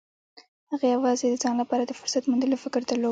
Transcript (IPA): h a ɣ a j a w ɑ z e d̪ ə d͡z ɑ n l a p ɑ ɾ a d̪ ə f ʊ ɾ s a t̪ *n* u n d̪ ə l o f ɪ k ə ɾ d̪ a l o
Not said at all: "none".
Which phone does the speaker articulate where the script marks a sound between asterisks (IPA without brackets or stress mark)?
m